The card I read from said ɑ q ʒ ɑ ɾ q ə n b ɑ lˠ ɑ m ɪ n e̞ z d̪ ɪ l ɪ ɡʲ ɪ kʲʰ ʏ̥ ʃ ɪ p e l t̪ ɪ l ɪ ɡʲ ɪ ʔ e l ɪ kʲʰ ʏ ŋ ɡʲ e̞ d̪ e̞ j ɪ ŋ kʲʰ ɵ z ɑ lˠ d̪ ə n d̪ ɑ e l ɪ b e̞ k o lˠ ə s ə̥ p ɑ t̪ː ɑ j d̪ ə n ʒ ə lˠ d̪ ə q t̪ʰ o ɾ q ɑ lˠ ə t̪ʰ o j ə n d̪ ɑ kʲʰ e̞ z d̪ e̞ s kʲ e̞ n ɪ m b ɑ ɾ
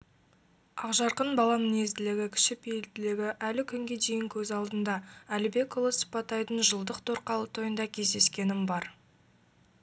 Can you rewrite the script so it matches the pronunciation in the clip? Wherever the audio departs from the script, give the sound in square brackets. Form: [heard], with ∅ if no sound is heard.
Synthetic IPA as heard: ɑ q ʒ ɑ ɾ q ə n b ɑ lˠ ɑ m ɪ n e̞ z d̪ ɪ l ɪ ɡʲ ɪ kʲʰ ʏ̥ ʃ ɪ p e l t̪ ɪ l ɪ ɡʲ ɪ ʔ [æ] l ɪ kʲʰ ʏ ŋ ɡʲ e̞ d̪ e̞ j ɪ ŋ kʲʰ ɵ z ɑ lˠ d̪ ə n d̪ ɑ [æ] l ɪ b e̞ k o lˠ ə s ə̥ p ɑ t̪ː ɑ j d̪ ə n ʒ ə lˠ d̪ ə q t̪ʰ o ɾ q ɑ lˠ ə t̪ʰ o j ə n d̪ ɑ kʲʰ e̞ z d̪ e̞ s kʲ e̞ n ɪ m b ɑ ɾ